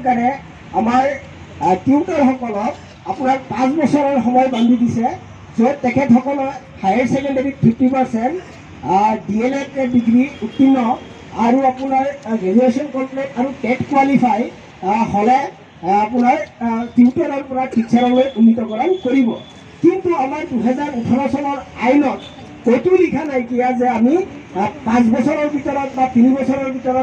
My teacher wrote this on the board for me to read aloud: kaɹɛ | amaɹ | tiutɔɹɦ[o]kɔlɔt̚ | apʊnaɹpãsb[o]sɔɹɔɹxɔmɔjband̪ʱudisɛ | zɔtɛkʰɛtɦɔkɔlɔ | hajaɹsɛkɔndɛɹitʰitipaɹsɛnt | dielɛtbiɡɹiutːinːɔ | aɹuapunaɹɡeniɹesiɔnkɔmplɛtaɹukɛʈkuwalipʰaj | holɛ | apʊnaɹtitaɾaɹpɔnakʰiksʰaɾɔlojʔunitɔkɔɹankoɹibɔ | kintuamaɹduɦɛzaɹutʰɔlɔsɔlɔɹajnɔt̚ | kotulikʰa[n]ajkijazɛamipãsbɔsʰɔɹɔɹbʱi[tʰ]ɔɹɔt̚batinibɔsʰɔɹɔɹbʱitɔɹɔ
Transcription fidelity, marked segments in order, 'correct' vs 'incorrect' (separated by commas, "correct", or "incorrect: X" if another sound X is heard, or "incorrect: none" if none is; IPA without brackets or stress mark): incorrect: ɔ, incorrect: ɔ, correct, incorrect: t